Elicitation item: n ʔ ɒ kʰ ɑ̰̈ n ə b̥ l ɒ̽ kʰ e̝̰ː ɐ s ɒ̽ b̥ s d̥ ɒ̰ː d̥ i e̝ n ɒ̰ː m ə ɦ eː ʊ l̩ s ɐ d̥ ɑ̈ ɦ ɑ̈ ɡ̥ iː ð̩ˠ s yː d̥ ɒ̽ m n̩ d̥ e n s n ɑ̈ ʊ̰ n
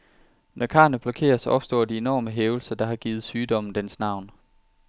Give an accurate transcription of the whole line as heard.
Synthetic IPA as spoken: n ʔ ɒ kʰ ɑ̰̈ n ə b̥ l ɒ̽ kʰ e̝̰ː ɐ s ɒ̽ b̥ s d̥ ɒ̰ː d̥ i e̝ n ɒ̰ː m ə ɦ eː ʊ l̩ s ɐ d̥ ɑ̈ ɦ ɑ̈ ɡ̥ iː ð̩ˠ s yː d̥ ɒ̽ m n̩ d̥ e n s n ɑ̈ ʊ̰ n